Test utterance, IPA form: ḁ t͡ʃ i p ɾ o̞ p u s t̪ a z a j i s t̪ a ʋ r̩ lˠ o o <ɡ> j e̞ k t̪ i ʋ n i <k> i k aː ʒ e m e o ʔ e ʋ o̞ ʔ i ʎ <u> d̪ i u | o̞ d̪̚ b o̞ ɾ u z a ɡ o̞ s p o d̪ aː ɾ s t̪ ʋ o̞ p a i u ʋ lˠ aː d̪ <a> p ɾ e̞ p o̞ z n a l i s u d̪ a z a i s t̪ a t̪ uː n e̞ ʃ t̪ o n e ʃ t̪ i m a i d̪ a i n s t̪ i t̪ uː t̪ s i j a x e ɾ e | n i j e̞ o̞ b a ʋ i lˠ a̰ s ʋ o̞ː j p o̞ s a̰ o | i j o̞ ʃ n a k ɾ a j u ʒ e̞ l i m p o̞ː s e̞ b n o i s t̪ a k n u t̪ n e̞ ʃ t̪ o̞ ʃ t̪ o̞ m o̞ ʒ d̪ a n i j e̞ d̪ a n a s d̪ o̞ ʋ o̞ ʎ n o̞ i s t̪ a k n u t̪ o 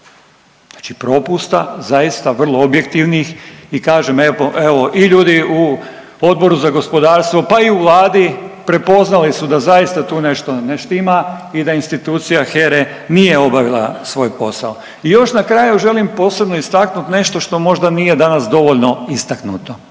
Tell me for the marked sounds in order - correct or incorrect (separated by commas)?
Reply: incorrect, incorrect, incorrect, incorrect